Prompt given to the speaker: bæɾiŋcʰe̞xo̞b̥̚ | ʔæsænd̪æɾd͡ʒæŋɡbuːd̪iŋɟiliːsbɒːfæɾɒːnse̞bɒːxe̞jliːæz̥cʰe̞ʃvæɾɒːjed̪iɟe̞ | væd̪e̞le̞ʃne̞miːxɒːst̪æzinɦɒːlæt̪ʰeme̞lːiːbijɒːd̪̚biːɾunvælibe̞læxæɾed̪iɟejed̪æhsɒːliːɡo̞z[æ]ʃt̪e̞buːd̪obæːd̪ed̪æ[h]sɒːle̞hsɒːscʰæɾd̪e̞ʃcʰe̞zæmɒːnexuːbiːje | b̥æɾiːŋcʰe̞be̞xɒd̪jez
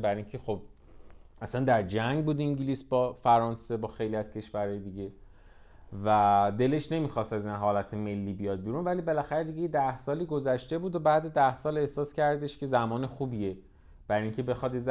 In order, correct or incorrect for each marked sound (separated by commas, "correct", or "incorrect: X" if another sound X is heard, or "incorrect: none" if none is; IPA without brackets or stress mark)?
correct, correct